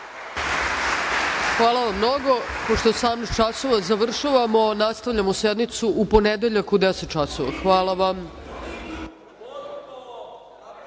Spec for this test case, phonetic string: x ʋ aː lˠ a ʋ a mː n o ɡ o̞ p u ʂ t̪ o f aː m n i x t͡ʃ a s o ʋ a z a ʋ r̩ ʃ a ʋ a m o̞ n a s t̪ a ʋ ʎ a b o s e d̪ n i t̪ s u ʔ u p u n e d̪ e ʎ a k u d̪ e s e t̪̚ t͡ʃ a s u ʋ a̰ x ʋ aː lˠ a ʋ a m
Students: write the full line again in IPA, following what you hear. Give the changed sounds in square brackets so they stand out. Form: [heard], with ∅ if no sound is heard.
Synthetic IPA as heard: x ʋ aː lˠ a ʋ a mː n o ɡ o̞ p [o] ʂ t̪ o [s] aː m n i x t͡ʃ a s o ʋ a z a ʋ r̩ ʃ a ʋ a m o̞ n a s t̪ a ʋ ʎ a [m] o s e d̪ n i t̪ s u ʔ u p [o] n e d̪ e ʎ a k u d̪ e s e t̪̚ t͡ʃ a s [o] ʋ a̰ x ʋ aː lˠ a ʋ a m